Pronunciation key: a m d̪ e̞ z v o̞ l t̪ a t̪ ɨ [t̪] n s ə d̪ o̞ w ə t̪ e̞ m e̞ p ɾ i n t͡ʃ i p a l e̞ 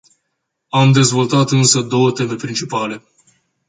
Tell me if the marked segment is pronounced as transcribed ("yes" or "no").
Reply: no